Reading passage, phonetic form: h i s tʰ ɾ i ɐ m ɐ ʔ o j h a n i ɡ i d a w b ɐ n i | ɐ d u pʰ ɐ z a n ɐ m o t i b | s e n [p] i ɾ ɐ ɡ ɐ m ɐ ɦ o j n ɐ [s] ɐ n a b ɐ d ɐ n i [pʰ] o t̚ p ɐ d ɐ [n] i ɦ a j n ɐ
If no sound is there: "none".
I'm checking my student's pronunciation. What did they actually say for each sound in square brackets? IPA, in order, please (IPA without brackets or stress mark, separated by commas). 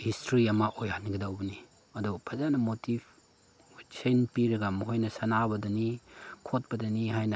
p, s, kʰ, n